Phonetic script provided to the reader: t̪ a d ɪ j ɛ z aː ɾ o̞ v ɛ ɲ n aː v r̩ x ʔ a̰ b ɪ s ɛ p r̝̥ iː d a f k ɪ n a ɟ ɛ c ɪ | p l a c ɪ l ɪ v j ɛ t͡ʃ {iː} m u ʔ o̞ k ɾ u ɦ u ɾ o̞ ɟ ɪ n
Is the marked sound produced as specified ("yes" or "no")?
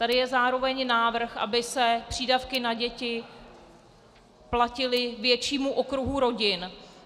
yes